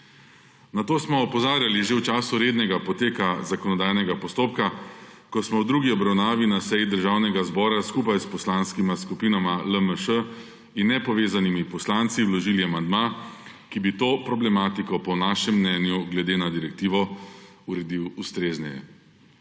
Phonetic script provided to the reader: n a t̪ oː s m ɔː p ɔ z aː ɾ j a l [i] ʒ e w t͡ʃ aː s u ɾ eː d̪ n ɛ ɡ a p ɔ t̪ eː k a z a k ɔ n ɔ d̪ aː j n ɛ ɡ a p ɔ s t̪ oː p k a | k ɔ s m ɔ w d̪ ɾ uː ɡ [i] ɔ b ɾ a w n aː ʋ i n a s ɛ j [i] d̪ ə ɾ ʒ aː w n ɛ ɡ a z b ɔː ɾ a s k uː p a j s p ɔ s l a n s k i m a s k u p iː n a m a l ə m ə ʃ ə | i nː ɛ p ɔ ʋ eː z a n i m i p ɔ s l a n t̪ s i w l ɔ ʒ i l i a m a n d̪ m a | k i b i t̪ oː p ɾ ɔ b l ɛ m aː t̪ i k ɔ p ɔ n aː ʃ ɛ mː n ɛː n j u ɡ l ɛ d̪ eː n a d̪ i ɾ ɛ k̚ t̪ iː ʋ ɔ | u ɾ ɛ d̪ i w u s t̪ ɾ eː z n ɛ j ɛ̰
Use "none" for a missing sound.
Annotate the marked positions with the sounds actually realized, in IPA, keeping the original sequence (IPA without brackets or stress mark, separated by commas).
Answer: i, i, i